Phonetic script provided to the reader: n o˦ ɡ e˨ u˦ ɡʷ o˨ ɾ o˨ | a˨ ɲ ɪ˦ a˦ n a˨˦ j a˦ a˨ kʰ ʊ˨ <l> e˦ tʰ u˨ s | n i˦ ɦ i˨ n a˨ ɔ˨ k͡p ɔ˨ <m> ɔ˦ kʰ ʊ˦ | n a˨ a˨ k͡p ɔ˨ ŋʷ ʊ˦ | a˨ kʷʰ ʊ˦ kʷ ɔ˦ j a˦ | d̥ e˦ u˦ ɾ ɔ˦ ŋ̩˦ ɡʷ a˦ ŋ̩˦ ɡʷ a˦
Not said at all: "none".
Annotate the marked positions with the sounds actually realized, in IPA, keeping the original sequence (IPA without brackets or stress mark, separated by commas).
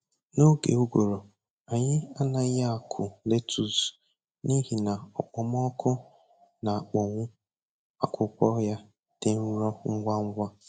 l, m